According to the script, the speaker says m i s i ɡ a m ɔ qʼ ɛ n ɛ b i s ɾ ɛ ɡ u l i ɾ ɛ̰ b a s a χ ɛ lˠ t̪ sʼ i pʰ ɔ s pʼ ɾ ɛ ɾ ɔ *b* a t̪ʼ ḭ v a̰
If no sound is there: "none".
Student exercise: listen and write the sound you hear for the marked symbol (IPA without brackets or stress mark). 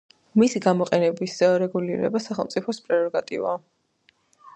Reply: ɡ